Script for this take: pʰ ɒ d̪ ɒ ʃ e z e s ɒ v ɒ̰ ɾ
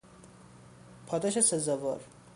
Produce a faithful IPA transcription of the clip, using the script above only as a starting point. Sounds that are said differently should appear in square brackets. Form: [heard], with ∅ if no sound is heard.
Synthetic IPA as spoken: pʰ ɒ d̪ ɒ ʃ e [s] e [z] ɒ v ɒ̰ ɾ